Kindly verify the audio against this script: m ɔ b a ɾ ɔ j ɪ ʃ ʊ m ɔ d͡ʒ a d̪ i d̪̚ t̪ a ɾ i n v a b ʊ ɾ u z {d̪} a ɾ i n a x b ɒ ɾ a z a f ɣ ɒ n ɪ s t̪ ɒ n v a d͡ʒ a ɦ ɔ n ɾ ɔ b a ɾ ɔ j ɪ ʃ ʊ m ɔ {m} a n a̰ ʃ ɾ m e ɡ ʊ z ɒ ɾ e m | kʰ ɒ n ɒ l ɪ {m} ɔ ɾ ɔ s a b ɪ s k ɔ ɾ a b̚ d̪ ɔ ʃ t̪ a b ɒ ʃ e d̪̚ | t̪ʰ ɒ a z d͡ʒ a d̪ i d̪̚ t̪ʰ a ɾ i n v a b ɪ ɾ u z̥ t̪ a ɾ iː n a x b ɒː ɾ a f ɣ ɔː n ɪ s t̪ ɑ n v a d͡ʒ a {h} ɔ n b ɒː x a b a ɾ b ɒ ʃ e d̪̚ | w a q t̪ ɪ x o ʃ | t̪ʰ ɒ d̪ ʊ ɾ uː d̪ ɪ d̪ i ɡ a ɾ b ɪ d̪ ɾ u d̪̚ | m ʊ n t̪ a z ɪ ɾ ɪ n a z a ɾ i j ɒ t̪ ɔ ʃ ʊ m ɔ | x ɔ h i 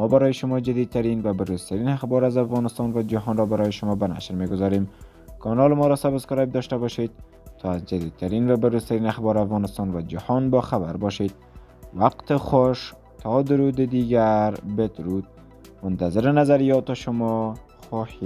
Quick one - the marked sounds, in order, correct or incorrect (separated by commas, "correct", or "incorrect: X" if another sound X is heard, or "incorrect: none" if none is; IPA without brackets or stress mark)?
incorrect: t̪, incorrect: b, correct, correct